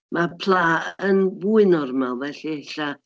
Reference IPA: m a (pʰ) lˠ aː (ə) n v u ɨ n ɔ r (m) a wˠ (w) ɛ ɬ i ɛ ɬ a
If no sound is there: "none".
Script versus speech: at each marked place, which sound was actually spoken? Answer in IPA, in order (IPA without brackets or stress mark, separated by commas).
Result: pʰ, ə, m, v